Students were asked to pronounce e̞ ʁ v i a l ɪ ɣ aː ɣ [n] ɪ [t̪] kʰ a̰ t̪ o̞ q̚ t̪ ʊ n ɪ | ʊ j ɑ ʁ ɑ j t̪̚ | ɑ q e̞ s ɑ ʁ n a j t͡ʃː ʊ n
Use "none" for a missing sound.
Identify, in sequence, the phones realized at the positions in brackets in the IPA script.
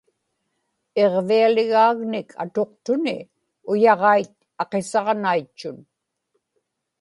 n, none

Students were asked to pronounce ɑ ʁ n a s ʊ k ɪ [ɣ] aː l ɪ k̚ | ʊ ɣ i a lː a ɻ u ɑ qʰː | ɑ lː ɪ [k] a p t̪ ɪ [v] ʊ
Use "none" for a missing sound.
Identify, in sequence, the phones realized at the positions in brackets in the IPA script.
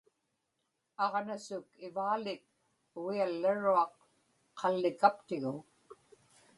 v, k, ɣ

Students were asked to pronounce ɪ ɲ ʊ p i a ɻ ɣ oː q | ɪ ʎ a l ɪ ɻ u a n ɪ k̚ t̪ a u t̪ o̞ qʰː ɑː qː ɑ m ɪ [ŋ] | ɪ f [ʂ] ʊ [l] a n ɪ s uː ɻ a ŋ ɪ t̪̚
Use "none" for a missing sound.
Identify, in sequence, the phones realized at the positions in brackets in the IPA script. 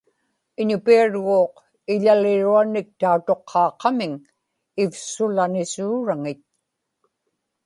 ŋ, s, l

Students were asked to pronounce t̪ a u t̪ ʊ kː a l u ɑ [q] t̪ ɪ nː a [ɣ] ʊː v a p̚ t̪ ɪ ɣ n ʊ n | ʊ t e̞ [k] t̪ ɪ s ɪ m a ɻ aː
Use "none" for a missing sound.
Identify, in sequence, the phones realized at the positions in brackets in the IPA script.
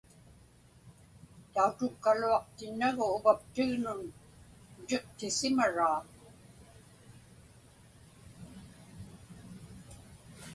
q, ɣ, q

